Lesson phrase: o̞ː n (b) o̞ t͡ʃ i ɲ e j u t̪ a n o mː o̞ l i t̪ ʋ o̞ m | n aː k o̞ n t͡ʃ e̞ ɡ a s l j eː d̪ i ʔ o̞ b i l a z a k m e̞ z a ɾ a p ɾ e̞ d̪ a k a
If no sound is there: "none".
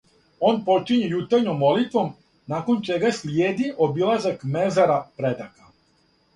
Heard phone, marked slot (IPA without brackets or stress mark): p